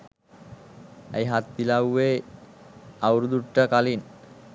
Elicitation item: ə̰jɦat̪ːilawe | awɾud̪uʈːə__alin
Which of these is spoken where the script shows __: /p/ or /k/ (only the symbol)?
k